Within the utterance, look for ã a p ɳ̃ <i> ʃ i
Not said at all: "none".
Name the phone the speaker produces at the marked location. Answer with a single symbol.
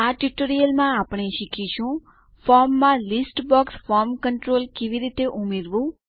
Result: e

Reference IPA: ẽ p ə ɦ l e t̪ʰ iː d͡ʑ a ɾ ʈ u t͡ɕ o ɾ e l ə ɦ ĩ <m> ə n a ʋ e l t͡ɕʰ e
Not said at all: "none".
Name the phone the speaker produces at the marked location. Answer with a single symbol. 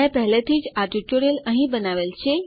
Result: b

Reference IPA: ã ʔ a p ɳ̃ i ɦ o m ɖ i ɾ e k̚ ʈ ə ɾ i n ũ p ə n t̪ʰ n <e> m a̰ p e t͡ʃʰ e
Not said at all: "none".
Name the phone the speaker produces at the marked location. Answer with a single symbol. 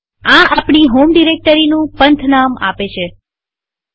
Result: a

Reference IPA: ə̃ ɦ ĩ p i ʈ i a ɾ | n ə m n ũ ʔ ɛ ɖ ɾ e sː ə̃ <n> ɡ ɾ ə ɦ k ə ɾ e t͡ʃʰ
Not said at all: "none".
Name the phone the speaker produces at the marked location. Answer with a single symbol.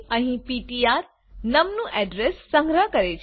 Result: ŋ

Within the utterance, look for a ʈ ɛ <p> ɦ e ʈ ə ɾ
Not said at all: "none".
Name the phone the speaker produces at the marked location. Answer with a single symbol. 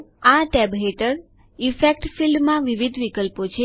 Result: b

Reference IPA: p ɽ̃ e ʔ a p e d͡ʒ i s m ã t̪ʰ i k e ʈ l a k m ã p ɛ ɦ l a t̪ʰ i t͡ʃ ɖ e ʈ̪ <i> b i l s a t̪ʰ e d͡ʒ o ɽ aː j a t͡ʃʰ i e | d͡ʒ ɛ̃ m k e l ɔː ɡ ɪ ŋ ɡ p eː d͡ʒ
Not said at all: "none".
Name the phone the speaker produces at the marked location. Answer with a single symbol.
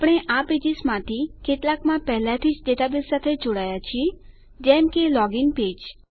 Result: a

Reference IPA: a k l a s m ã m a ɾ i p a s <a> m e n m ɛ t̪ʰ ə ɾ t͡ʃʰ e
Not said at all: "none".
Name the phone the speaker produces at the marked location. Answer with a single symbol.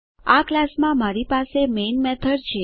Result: e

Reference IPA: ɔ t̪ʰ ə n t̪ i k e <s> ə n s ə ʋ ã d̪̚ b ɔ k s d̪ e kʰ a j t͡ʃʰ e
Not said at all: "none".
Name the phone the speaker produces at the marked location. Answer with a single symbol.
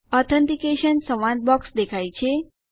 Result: ʃ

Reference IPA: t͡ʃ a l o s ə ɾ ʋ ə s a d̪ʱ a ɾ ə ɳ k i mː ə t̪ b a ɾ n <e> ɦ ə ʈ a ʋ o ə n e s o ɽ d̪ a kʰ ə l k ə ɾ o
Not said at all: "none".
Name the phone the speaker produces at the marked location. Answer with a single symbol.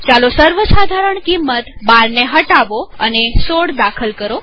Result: e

